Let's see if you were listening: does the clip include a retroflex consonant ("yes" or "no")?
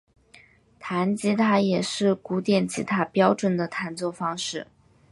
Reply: yes